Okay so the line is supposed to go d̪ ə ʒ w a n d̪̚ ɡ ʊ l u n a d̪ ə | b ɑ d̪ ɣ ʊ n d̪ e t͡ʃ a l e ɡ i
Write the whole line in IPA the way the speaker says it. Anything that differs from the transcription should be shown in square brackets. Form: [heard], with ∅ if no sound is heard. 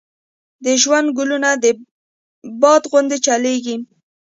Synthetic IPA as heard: d̪ ə ʒ w a n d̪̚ ɡ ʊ l u n a d̪ ə | b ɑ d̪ ɣ ʊ n d̪ e t͡ʃ a l e ɡ i